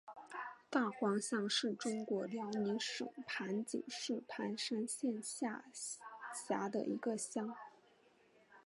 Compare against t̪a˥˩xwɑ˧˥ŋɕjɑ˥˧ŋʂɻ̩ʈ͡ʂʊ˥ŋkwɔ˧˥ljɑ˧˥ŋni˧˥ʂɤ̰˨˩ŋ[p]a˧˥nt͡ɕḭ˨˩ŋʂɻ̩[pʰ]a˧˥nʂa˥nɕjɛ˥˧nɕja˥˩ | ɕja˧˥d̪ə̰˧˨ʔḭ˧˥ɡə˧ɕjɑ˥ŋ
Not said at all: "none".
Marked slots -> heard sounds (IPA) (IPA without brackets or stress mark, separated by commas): pʰ, pʰ